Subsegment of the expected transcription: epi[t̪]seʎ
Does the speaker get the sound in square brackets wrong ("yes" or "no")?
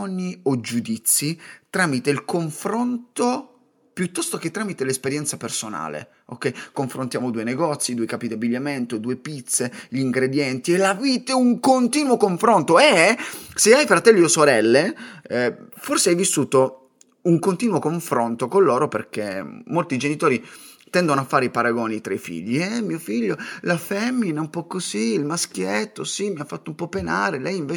no